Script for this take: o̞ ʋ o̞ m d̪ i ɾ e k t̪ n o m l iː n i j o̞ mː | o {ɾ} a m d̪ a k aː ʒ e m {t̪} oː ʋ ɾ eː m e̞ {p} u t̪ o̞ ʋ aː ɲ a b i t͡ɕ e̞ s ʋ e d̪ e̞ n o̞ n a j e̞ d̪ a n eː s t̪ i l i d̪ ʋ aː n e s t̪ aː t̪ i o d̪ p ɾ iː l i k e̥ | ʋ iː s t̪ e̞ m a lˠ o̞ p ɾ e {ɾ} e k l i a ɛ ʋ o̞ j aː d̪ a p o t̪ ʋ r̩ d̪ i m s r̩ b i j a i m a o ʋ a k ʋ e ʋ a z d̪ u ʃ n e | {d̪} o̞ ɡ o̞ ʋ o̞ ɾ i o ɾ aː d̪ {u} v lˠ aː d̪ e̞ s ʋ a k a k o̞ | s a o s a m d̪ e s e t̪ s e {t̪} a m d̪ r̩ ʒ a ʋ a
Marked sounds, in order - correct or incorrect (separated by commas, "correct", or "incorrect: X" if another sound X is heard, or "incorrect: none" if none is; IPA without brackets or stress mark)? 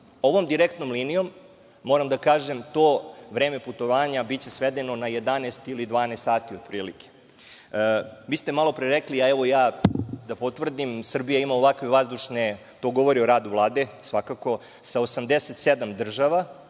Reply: correct, correct, correct, correct, incorrect: t̪, correct, incorrect: d̪